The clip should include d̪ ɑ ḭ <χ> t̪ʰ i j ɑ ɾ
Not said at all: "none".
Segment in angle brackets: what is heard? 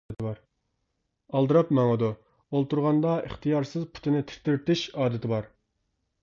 χ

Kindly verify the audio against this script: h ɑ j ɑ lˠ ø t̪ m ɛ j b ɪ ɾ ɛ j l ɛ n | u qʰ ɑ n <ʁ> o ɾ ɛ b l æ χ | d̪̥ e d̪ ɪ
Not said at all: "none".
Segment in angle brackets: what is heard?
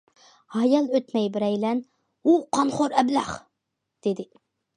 χ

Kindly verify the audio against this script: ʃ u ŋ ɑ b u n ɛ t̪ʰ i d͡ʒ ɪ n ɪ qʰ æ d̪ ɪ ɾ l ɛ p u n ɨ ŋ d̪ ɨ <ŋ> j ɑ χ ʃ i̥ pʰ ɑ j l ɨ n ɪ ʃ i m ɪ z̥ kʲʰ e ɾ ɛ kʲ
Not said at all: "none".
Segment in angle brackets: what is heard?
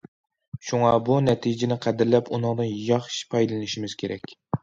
n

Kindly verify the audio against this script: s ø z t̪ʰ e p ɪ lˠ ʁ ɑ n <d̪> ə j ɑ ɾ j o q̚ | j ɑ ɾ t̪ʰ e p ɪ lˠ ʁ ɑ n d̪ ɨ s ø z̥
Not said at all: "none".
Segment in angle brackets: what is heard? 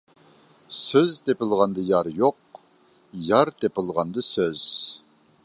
d̪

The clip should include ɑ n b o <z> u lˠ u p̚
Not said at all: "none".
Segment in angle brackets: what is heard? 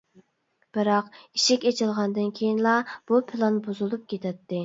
z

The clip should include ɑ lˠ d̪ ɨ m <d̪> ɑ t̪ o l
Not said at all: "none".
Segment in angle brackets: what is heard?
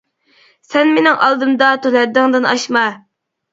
d̪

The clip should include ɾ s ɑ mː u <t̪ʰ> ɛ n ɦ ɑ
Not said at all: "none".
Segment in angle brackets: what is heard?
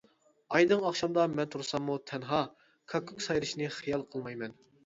t̪ʰ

